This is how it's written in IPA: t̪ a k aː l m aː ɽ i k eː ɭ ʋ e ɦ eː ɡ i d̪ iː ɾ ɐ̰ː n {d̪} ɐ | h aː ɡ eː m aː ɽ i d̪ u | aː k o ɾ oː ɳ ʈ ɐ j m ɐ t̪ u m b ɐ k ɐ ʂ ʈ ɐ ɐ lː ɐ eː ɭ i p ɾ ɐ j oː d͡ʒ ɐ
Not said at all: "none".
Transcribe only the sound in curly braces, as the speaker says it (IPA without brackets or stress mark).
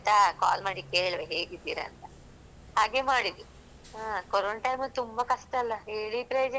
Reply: t̪